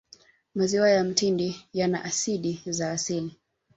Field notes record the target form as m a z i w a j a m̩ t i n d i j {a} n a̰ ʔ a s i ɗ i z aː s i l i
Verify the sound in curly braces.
correct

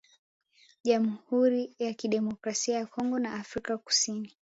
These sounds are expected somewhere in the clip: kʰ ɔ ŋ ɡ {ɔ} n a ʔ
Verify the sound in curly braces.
correct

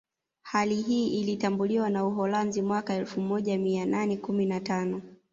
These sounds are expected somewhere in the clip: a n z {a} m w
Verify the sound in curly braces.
incorrect: i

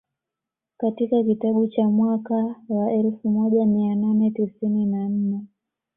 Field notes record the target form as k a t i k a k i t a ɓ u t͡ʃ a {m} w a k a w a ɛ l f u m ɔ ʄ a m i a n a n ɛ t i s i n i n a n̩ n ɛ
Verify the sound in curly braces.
correct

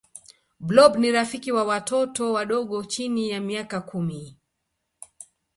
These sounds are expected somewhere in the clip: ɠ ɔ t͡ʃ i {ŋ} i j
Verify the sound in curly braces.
incorrect: n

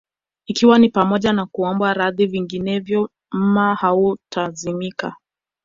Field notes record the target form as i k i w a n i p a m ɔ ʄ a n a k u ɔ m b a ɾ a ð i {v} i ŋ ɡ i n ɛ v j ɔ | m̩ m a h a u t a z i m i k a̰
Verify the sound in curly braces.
correct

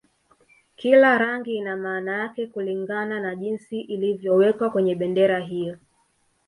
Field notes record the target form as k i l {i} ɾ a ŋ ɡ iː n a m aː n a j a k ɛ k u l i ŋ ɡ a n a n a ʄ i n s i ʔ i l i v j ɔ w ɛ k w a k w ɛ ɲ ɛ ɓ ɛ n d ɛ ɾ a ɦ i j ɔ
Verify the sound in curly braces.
incorrect: a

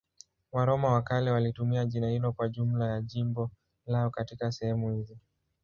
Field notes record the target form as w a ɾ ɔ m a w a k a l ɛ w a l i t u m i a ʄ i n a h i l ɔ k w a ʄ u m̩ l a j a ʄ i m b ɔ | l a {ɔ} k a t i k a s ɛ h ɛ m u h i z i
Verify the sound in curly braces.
correct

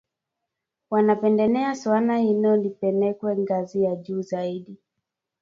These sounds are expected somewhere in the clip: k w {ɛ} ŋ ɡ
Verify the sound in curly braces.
correct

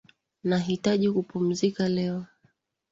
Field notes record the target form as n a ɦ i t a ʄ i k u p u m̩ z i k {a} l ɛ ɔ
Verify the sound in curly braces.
correct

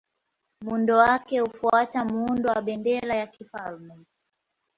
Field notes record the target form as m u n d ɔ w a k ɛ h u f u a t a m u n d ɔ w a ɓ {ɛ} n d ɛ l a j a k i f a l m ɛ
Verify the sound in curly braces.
correct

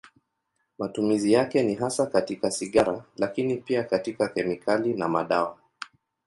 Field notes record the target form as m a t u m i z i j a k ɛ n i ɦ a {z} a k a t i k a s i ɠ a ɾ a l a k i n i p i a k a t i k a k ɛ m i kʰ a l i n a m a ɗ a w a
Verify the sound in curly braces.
incorrect: s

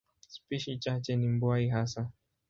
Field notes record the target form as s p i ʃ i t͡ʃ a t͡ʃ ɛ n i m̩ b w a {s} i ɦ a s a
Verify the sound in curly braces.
incorrect: none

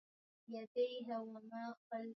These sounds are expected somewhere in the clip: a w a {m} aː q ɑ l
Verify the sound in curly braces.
correct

